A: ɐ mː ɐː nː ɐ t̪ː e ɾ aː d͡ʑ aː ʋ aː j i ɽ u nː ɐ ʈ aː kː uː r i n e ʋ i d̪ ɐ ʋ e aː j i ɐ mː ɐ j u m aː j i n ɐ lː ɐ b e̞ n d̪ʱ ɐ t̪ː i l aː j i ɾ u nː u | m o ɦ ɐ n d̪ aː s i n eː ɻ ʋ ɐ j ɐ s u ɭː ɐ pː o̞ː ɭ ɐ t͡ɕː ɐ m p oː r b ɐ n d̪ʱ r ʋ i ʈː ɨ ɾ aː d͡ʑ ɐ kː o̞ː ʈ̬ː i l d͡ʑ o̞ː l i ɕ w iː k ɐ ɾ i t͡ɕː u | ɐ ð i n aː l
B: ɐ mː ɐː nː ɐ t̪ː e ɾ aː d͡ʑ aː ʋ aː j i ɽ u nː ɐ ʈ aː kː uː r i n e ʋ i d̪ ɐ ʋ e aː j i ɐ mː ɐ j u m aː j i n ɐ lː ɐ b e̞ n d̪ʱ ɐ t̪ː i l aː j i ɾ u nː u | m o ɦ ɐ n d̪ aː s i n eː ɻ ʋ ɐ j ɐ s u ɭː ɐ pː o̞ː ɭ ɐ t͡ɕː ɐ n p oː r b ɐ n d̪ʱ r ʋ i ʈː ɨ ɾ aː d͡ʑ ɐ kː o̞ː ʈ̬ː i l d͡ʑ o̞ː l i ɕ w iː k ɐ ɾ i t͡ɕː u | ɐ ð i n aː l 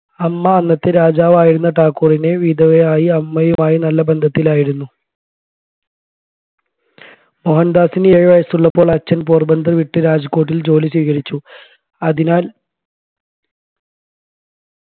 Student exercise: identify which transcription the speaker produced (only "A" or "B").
B